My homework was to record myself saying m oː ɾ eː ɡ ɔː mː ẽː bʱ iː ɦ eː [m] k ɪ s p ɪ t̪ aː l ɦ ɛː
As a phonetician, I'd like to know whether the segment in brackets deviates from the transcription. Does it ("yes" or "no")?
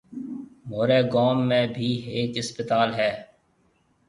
yes